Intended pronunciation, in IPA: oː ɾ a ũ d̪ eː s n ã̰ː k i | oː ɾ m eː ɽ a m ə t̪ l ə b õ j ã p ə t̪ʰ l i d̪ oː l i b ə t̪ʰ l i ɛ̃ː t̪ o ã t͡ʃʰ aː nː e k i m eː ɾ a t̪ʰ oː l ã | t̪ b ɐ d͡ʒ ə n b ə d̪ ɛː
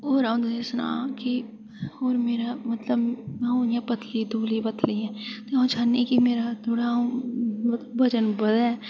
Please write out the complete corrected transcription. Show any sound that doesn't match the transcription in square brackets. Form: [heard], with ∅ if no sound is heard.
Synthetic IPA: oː ɾ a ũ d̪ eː s n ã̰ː k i | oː ɾ m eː [ɾ] a m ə t̪ l ə b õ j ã p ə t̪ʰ l i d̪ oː l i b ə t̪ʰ l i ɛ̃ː t̪ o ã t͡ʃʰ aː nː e k i m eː ɾ a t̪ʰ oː [ɽ] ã | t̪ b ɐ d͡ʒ ə n b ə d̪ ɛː